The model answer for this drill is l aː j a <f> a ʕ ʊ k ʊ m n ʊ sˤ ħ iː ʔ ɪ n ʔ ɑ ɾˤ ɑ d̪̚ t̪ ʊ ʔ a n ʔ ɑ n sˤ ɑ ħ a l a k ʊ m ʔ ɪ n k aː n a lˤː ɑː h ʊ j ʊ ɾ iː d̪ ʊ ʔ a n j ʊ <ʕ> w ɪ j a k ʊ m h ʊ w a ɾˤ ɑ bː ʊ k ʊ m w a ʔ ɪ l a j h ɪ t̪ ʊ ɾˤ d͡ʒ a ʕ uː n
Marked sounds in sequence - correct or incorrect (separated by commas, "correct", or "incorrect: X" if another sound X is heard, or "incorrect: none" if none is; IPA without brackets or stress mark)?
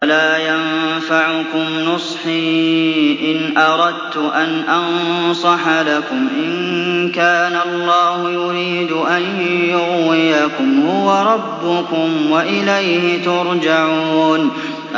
correct, incorrect: ɣ